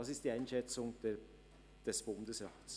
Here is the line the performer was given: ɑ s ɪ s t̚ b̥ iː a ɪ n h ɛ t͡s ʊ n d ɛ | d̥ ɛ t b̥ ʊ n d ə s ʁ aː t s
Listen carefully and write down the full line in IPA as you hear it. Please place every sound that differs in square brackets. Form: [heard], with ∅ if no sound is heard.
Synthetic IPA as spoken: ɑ s ɪ s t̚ [d̥] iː a ɪ n [ʃ] ɛ t͡s ʊ [ŋ] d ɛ | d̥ ɛ [s] b̥ ʊ n d ə s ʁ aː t s